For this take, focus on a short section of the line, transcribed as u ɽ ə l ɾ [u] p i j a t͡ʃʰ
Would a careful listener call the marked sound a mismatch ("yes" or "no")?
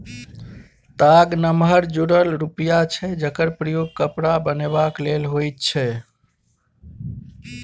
no